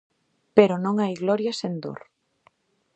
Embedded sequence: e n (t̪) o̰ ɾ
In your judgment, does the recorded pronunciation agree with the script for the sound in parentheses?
no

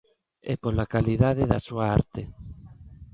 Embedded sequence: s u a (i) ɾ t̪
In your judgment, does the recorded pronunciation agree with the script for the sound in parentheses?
no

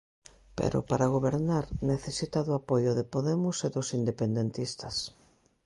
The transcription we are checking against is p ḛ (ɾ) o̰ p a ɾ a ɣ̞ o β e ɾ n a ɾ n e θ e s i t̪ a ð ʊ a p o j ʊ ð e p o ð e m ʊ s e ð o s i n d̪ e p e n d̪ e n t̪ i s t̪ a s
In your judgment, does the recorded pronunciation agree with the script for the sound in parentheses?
yes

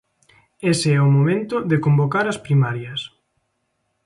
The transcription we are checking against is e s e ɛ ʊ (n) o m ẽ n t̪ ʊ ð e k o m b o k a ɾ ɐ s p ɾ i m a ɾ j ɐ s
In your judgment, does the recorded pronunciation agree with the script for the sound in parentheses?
no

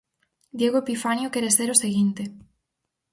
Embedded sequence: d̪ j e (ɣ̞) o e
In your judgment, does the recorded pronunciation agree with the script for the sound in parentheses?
yes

